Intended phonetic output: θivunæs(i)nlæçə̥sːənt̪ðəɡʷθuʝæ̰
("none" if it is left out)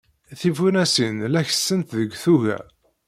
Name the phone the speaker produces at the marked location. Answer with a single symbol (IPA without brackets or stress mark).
i